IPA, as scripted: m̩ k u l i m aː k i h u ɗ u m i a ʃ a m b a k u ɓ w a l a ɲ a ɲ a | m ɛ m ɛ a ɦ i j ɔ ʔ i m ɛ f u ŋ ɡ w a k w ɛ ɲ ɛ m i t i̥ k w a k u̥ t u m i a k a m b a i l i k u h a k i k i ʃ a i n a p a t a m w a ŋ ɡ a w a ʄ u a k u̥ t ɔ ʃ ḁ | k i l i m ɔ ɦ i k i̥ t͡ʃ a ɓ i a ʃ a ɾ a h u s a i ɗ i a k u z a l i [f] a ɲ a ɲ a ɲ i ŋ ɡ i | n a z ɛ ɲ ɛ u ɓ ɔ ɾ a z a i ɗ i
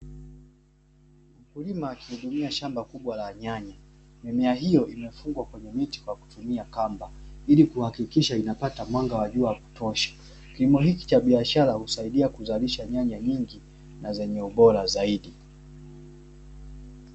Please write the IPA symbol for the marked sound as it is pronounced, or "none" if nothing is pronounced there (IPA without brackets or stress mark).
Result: ʃ